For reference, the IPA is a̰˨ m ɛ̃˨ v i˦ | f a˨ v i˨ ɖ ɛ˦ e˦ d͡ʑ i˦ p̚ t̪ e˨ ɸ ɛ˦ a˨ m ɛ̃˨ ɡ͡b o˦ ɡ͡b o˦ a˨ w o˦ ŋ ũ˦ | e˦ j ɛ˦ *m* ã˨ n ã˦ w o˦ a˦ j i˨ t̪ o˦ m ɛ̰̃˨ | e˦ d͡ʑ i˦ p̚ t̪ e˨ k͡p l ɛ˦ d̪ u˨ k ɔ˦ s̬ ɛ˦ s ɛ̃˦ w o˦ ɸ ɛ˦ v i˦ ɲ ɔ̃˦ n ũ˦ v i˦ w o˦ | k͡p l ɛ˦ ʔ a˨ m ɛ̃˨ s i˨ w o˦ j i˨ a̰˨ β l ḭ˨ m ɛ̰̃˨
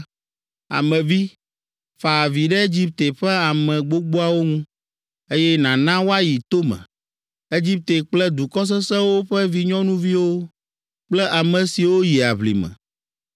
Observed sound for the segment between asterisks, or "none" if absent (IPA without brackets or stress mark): n